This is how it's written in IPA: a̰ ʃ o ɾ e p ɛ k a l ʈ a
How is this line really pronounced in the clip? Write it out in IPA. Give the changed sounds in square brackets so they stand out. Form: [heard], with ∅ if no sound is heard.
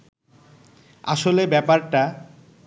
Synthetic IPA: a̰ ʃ o [l] e [b] ɛ [p] a [ɾ] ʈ a